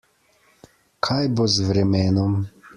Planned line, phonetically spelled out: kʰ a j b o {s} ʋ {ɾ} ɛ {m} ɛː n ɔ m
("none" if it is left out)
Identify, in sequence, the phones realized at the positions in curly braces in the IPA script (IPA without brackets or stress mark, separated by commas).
z, ɾ, m